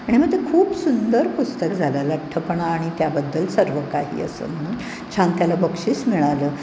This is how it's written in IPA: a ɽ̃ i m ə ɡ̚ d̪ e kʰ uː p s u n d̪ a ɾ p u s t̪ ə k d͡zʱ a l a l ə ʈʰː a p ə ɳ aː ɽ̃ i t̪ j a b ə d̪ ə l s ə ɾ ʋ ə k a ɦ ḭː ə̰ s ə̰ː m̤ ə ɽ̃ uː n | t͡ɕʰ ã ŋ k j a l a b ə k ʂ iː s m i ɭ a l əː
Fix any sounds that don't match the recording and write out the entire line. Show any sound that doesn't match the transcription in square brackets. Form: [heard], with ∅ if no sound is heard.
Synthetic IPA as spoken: a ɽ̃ i m ə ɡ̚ [t̪] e kʰ uː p s u n d̪ [ə] ɾ p u s t̪ ə k d͡zʱ a l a l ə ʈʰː [ə] p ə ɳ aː ɽ̃ i t̪ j a b ə [d̪ː] ə l s ə ɾ ʋ ə k a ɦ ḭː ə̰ s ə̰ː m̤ ə ɽ̃ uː n | t͡ɕʰ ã ŋ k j a l a b ə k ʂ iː s m i ɭ a l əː